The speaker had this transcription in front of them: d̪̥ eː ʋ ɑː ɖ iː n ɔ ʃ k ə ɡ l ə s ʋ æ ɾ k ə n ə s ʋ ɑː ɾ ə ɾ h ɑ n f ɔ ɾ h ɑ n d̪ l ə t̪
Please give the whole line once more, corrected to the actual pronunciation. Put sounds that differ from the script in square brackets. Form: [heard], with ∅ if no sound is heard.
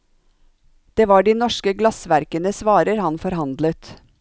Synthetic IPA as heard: d̪̥ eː ʋ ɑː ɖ iː n ɔ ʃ k ə ɡ l [ɑ] s ʋ æ ɾ k ə n ə s ʋ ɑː ɾ ə ɾ h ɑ n f ɔ ɾ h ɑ n d̪ l ə t̪